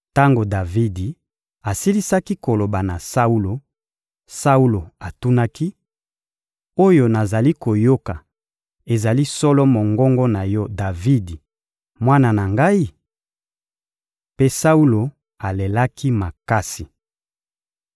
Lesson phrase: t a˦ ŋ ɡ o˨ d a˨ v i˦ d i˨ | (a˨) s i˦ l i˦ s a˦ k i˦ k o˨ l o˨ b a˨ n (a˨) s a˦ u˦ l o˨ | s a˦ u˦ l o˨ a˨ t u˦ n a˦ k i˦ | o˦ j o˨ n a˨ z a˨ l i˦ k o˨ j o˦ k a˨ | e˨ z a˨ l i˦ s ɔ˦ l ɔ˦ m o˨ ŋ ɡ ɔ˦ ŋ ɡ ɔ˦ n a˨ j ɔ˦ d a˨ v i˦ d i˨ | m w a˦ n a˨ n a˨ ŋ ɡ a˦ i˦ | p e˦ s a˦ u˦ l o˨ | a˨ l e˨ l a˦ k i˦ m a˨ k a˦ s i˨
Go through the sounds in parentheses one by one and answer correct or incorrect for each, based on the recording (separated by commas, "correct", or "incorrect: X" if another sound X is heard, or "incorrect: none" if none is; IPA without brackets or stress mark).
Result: correct, correct